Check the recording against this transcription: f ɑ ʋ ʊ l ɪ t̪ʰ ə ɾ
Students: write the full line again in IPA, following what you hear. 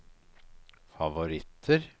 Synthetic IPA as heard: f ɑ ʋ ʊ ɾ ɪ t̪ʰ ə ɾ